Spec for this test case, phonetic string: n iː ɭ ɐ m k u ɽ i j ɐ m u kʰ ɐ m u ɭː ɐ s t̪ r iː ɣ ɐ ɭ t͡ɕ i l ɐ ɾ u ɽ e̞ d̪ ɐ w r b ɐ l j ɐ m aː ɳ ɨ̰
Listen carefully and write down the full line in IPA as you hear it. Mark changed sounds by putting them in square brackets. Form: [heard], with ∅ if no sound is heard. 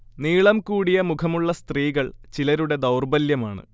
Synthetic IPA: n iː ɭ ɐ m k [uː] ɽ i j ɐ m u kʰ ɐ m u ɭː ɐ s t̪ r iː ɣ ɐ ɭ t͡ɕ i l ɐ ɾ u ɽ e̞ d̪ ɐ w r b ɐ l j ɐ m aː ɳ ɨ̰